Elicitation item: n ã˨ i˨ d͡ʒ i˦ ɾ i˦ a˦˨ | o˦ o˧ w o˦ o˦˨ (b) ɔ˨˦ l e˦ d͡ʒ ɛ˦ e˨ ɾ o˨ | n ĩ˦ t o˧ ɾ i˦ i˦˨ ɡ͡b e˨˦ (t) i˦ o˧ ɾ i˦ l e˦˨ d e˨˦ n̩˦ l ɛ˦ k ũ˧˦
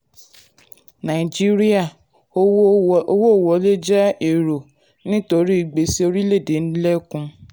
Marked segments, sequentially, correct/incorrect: incorrect, incorrect

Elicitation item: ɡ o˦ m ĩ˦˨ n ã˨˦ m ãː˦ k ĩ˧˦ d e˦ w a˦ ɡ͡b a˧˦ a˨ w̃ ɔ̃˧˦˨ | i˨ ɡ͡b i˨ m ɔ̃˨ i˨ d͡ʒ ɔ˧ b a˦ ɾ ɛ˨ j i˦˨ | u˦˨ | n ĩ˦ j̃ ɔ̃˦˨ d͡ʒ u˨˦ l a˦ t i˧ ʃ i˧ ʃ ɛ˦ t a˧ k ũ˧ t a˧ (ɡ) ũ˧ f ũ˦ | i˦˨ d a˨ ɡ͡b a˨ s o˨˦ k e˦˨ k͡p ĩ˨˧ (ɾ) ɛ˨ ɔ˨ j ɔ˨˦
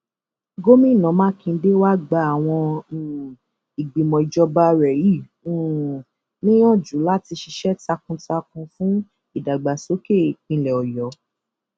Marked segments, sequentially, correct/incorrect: incorrect, incorrect

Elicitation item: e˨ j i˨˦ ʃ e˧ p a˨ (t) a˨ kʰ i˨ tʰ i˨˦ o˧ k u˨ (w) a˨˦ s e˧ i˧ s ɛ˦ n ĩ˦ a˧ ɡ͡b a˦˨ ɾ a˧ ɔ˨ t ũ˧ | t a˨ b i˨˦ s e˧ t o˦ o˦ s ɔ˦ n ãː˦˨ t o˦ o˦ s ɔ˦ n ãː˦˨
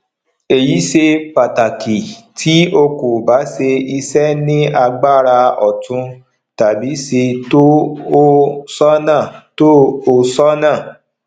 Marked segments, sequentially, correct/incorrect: correct, incorrect

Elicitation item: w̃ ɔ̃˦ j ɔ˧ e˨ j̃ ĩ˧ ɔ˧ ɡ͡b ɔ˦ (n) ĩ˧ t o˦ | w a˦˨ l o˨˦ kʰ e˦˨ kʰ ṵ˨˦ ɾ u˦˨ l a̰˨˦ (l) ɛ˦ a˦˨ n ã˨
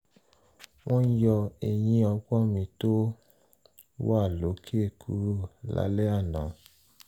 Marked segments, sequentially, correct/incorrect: incorrect, correct

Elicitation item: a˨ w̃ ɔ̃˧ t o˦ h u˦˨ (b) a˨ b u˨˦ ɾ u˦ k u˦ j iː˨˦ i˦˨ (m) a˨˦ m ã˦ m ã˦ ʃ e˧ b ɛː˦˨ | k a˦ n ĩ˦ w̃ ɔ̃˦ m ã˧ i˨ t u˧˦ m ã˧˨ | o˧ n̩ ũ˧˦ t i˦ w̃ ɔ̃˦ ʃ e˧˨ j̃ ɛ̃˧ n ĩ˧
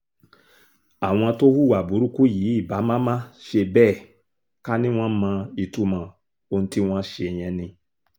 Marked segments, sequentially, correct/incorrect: incorrect, incorrect

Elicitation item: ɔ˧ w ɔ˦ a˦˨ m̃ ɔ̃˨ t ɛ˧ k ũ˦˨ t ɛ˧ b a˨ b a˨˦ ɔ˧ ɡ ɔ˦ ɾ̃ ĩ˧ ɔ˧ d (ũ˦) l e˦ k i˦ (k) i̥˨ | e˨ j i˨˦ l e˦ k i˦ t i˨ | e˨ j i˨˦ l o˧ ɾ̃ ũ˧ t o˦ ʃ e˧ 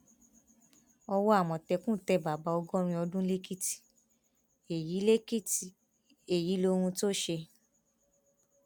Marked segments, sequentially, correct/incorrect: correct, incorrect

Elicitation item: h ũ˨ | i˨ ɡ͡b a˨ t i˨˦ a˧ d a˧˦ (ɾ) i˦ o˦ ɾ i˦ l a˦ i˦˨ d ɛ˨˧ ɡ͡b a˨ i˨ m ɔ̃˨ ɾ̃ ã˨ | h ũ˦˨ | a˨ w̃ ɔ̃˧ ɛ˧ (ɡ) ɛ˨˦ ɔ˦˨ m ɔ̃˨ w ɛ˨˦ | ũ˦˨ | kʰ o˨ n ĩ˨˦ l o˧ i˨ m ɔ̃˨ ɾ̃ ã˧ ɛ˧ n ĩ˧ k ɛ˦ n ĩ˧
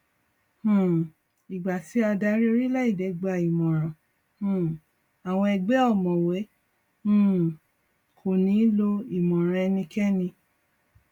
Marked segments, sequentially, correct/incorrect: correct, incorrect

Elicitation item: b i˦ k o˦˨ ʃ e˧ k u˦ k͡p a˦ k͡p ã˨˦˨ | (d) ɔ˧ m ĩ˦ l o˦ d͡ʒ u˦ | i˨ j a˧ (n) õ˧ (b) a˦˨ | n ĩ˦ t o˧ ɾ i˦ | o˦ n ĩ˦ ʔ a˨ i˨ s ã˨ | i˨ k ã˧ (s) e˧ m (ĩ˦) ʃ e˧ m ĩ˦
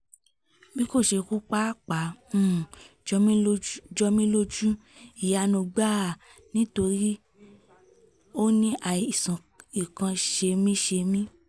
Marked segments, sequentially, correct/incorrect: incorrect, correct, incorrect, incorrect, correct

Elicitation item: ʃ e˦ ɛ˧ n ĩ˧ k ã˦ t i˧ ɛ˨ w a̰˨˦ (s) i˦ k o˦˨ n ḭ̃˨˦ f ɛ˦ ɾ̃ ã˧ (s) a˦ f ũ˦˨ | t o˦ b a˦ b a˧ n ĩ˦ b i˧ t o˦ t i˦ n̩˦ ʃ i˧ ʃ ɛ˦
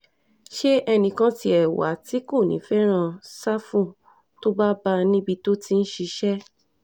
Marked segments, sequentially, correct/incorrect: incorrect, correct

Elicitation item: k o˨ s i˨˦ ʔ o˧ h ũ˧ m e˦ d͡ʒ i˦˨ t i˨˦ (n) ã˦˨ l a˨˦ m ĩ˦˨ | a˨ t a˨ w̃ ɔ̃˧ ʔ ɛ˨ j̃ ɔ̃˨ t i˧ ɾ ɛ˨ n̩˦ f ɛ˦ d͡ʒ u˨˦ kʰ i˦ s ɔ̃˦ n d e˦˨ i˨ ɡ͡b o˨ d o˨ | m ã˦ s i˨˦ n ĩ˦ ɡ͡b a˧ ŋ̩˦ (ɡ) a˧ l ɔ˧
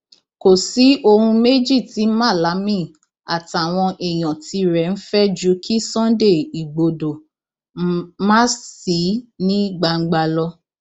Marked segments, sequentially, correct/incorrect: incorrect, incorrect

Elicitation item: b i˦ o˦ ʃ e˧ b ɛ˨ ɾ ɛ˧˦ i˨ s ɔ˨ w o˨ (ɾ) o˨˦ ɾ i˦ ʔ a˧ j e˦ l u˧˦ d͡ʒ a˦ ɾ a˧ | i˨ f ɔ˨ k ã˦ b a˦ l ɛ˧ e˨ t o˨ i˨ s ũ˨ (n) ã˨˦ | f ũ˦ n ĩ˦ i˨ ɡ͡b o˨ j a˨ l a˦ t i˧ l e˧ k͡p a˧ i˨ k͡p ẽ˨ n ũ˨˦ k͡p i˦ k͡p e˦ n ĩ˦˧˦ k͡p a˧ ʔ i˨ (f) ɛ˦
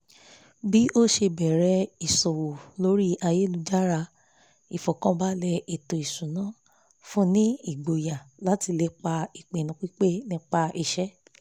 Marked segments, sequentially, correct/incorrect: incorrect, correct, incorrect

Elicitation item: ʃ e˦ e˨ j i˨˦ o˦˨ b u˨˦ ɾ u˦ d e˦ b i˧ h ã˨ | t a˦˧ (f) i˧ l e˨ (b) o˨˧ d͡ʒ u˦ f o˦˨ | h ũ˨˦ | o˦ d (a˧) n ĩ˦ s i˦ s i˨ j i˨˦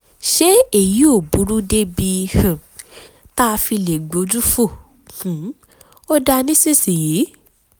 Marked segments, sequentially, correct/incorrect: correct, incorrect, correct

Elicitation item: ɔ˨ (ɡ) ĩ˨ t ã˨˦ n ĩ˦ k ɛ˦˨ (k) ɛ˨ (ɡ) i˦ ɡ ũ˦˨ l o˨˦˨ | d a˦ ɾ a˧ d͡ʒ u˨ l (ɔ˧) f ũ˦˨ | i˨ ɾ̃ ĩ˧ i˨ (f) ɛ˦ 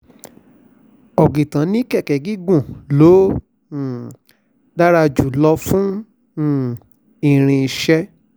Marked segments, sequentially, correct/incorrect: correct, correct, correct, correct, incorrect

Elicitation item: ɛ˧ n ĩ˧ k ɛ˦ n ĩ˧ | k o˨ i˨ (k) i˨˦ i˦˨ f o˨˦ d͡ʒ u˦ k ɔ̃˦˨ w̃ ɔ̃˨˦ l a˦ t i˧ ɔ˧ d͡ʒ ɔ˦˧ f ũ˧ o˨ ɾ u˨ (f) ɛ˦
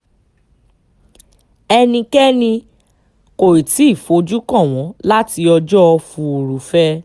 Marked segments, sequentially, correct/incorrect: incorrect, correct

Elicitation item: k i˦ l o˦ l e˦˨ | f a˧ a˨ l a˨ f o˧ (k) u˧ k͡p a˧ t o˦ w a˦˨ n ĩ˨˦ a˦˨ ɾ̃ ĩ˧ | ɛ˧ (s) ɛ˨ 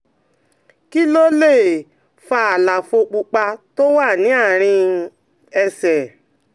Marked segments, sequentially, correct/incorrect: incorrect, correct

